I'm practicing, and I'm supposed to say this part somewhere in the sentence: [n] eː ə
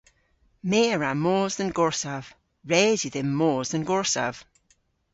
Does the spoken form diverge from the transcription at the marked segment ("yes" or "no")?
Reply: yes